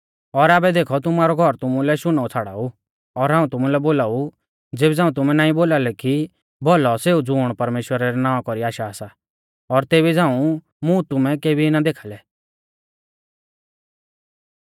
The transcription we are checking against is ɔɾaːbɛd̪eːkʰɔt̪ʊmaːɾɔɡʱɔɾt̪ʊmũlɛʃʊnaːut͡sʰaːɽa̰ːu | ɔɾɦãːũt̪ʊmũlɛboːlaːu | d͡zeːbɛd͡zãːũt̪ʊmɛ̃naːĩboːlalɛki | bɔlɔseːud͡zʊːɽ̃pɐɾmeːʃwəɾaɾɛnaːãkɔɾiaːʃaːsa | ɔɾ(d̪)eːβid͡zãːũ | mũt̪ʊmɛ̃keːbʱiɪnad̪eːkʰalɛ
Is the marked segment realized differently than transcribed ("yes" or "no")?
yes